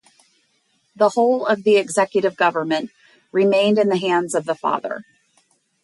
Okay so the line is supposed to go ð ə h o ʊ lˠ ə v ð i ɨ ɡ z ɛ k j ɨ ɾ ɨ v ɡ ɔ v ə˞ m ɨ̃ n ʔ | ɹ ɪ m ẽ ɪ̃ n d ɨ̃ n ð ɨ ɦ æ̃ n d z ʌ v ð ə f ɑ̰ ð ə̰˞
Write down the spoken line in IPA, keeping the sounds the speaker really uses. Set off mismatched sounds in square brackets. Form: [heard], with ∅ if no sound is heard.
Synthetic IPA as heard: ð ə h o ʊ lˠ [ʌ] v ð i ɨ ɡ z ɛ k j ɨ ɾ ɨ v ɡ [ʌ] v ə˞ m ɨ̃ n ʔ | ɹ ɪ m ẽ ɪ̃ n d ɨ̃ n ð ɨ ɦ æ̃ n d z ʌ v ð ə f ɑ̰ ð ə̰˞